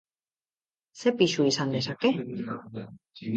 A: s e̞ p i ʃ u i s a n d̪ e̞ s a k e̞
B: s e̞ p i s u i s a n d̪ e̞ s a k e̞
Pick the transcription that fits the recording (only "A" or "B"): A